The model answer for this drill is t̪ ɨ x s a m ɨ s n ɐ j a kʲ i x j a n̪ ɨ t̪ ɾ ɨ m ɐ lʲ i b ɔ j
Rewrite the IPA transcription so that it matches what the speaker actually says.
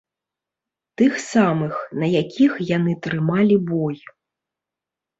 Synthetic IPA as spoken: t̪ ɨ x s a m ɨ x n ɐ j a kʲ i x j a n̪ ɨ t̪ ɾ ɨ m a lʲ i b ɔ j